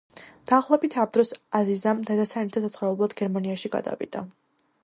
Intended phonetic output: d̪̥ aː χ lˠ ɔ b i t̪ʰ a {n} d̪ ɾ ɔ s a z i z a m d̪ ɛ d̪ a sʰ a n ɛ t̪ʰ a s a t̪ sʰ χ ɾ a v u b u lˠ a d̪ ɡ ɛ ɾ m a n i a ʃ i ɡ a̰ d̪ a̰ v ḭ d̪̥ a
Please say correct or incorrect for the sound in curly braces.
incorrect